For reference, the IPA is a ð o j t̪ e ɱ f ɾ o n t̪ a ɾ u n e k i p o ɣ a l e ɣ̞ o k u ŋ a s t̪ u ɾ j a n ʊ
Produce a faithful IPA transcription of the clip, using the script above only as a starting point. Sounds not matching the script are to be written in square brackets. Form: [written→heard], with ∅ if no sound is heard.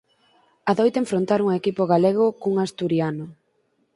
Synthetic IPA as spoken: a ð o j t̪ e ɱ f ɾ o n t̪ a ɾ u [n→ŋ] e k i p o ɣ a l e ɣ̞ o k u ŋ a s t̪ u ɾ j a n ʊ